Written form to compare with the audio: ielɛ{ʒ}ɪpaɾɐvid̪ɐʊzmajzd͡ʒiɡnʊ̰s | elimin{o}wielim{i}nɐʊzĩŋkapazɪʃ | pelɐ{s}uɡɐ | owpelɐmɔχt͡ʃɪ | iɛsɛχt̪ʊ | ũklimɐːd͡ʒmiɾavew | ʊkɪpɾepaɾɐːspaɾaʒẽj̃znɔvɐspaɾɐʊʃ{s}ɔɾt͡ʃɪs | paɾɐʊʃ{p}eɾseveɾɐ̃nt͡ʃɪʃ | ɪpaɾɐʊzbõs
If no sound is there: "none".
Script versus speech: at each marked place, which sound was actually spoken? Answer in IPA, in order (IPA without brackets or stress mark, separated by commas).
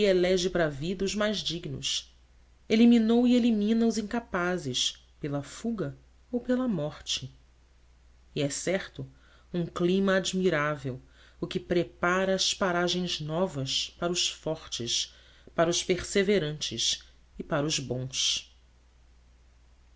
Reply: ʒ, o, ĩ, f, f, p